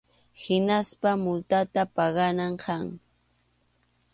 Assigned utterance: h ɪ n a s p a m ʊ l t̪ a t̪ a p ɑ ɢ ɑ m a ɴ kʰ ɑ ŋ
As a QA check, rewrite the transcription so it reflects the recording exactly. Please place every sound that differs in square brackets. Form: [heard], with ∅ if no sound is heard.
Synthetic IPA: h ɪ n a s p a m ʊ l t̪ a t̪ a p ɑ ɢ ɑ [n] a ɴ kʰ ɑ ŋ